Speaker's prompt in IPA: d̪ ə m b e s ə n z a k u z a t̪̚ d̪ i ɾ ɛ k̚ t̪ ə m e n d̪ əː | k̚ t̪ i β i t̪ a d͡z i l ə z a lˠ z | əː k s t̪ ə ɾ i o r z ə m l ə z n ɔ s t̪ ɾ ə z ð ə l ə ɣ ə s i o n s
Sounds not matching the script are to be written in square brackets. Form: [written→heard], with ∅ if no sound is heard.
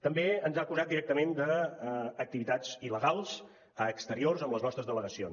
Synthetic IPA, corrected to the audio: [d̪→t̪] ə m b e [s→∅] ə n z a k u z a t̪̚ d̪ i ɾ ɛ k̚ t̪ ə m e n d̪ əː | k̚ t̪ i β i t̪ a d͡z i l ə [z→ɣ] a lˠ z | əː k s t̪ ə ɾ i o r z ə m l ə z n ɔ s t̪ ɾ ə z ð ə l ə ɣ ə s i o n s